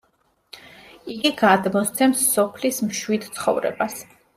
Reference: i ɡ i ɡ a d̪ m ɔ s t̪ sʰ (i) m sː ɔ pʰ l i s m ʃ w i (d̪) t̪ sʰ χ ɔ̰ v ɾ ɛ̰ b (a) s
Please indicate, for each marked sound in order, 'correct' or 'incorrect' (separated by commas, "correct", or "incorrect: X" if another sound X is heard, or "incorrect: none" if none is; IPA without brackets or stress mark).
incorrect: ɛ, correct, correct